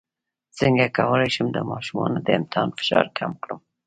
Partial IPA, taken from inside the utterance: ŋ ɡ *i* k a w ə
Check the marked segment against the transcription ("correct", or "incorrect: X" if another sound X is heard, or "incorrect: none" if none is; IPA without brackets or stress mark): incorrect: a